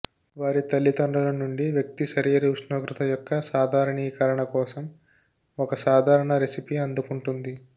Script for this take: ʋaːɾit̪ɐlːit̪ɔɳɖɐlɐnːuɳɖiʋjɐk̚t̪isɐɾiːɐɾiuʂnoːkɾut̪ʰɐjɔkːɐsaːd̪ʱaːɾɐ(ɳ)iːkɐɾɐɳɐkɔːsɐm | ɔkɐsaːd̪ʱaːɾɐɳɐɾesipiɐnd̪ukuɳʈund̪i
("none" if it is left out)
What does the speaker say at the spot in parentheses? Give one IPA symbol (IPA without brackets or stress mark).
ɳ